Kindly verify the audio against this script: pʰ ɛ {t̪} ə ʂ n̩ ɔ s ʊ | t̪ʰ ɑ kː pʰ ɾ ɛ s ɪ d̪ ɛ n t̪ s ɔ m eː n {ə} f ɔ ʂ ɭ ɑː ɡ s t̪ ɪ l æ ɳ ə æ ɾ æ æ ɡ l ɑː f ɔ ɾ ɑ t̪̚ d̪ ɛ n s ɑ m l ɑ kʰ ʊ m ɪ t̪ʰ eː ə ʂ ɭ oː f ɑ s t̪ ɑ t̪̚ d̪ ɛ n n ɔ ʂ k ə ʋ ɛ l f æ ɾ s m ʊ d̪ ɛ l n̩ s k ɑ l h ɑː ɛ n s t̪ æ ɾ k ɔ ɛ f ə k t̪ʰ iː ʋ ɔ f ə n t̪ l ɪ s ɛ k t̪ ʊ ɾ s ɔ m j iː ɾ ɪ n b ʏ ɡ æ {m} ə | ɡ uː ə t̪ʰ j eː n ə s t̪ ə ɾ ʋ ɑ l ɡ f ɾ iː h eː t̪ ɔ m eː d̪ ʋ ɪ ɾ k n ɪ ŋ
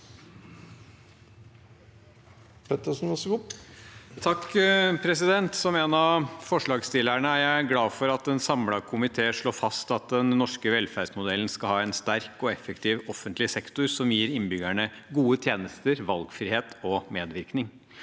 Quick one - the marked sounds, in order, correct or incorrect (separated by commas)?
correct, incorrect, incorrect